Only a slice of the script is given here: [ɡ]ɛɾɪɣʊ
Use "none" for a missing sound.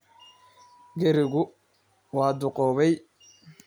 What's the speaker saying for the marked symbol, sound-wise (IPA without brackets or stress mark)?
ɡ